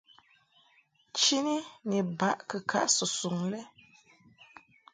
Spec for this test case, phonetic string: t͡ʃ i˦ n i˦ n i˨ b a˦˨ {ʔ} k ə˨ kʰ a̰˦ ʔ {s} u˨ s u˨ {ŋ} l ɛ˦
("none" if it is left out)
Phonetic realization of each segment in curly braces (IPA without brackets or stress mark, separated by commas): ʔ, s, ŋ